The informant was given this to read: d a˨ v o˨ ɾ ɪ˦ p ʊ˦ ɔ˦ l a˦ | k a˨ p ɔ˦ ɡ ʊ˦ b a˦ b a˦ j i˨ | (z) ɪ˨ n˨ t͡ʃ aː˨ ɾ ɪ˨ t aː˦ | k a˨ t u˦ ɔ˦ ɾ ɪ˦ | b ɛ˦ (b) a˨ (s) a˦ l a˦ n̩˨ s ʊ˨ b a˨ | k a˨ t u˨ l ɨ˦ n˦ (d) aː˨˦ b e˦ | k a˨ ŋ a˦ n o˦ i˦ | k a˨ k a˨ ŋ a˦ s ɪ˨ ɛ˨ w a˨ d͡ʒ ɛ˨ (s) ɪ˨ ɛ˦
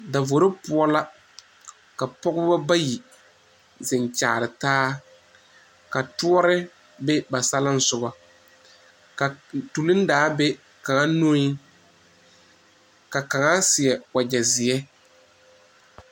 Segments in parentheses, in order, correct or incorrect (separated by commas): correct, correct, correct, correct, incorrect